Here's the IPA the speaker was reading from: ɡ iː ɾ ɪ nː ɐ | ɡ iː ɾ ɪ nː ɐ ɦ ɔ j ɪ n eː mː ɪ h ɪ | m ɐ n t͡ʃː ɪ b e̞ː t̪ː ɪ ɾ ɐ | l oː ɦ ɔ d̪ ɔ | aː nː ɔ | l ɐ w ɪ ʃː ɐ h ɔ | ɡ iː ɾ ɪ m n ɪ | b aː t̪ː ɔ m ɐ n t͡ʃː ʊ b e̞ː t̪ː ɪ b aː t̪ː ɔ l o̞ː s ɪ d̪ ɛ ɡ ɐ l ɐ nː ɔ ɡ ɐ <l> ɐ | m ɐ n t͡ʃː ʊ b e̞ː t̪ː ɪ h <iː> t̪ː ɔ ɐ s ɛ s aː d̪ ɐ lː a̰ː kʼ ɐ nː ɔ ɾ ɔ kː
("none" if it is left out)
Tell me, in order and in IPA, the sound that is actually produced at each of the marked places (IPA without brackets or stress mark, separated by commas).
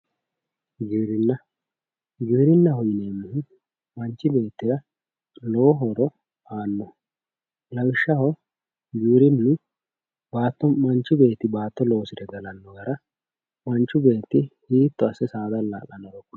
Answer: ɾ, iː